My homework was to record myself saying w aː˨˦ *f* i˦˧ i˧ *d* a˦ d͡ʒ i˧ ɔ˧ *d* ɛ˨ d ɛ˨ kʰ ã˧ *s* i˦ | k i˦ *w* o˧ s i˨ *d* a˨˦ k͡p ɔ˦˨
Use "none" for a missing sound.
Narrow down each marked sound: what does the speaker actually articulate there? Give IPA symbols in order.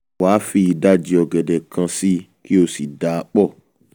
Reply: f, d, ɡ, s, none, d

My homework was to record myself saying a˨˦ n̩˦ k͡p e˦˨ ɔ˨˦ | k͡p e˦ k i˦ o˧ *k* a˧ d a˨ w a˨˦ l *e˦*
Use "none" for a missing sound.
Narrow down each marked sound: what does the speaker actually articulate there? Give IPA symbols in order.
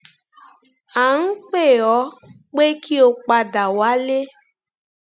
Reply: k͡p, e˦

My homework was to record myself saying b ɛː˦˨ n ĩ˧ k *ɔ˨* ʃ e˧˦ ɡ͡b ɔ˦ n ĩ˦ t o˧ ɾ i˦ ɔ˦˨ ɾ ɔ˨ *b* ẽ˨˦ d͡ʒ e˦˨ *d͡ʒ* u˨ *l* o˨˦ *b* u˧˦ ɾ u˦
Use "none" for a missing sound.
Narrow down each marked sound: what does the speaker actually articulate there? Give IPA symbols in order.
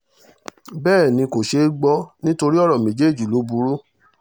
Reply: o˨, m, d͡ʒ, l, b

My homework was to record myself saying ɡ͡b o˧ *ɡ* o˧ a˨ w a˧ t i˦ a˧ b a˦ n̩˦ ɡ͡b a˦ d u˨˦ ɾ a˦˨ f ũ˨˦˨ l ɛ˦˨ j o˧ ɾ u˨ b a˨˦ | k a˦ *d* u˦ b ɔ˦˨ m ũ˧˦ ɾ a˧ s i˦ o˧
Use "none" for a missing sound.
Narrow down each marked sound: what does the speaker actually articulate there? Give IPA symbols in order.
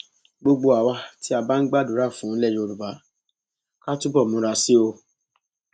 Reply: ɡ͡b, t

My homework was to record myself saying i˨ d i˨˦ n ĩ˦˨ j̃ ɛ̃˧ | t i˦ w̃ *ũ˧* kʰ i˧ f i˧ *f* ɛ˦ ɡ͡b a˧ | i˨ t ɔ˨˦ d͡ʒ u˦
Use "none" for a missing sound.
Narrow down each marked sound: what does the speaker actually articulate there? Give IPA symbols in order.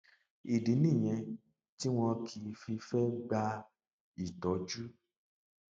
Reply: ɔ̃˧, f

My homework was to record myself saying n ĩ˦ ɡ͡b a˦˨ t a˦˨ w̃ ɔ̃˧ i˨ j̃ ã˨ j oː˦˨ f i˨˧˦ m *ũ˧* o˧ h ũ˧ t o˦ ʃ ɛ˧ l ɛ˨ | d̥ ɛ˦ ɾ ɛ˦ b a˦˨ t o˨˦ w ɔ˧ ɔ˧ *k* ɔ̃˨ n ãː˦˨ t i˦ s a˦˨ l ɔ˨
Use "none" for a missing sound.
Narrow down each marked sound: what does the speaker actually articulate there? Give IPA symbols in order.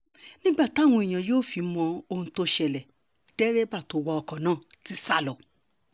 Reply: ɔ̃˧, k

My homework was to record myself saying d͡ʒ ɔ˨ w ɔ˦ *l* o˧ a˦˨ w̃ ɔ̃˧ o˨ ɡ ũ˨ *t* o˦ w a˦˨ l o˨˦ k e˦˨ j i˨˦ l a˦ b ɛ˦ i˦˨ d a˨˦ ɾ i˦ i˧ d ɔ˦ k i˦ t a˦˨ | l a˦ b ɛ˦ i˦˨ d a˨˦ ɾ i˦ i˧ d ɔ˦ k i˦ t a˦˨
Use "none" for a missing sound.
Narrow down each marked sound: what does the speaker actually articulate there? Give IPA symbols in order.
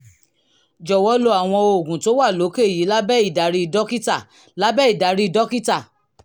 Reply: l, t

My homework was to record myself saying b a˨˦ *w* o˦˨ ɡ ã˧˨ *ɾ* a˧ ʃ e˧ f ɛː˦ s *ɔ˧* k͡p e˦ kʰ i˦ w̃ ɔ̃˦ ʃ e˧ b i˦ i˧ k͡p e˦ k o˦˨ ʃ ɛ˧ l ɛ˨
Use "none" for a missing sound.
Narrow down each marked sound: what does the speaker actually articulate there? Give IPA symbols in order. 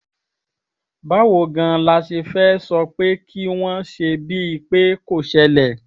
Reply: w, l, ɔ˧

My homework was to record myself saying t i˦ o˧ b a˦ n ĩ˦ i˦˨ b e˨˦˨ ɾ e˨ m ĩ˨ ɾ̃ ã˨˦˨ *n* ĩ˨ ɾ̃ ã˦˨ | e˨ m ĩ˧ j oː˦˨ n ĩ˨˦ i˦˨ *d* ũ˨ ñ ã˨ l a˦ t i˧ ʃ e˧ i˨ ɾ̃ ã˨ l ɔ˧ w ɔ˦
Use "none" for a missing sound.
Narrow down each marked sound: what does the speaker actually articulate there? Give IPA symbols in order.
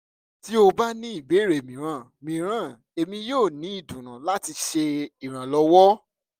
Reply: m, d

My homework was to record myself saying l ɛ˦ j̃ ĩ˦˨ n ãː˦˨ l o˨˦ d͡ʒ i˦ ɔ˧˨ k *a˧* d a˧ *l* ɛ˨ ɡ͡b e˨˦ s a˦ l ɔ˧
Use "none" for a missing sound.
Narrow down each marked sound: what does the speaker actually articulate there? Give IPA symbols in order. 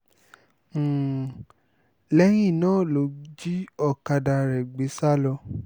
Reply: a˧, ɾ

